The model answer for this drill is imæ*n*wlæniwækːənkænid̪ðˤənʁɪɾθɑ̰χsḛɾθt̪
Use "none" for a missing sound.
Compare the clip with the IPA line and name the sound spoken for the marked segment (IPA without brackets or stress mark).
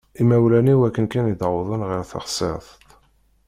none